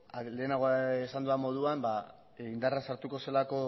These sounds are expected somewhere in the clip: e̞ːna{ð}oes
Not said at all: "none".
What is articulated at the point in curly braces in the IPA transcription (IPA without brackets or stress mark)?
ɣ